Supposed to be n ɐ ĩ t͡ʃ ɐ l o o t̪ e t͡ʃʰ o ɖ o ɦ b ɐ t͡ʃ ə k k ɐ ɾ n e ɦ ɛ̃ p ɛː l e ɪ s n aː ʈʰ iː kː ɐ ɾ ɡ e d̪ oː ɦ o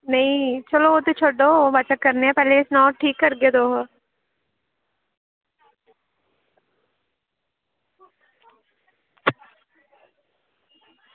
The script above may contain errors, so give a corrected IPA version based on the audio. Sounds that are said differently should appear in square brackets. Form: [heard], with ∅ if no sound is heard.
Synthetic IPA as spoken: n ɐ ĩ t͡ʃ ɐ l o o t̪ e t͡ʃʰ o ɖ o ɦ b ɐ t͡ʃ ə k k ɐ ɾ n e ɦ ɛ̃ p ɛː l e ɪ s n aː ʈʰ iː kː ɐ ɾ ɡ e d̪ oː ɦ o